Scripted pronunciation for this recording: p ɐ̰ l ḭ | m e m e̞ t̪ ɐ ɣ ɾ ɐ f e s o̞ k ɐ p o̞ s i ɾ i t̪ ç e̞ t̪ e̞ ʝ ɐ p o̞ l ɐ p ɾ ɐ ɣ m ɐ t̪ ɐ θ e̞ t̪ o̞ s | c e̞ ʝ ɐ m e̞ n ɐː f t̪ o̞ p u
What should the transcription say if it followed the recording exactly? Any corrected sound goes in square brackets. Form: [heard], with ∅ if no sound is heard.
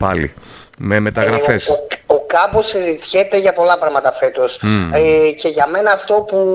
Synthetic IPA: p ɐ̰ l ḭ | m e m e̞ t̪ ɐ ɣ ɾ ɐ f e s o̞ k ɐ p o̞ s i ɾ i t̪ ç e̞ t̪ e̞ ʝ ɐ p o̞ l ɐ p ɾ ɐ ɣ m ɐ t̪ ɐ [f] e̞ t̪ o̞ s | c e̞ ʝ ɐ m e̞ n ɐː f t̪ o̞ p u